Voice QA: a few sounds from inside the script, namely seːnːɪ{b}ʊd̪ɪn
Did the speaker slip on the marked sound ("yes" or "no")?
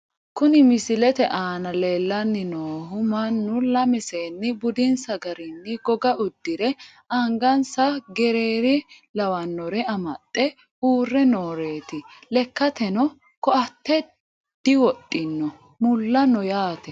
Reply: no